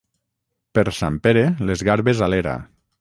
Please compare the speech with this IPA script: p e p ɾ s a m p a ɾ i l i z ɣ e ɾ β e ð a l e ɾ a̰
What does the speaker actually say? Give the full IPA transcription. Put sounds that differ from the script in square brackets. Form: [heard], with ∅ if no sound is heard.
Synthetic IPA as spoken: p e [∅] ɾ s a m p [e] ɾ [e] l [e] z ɣ [a] ɾ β e [z] a l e ɾ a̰